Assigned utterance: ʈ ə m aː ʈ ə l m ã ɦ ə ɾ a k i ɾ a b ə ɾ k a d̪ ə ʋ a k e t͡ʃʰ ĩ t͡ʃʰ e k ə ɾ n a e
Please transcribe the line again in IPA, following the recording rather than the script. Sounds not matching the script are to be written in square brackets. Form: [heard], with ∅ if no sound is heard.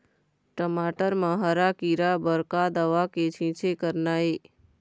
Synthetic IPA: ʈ ə m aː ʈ ə [ɾ] m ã ɦ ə ɾ a k i ɾ a b ə ɾ k a d̪ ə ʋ a k e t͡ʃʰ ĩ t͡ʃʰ e k ə ɾ n a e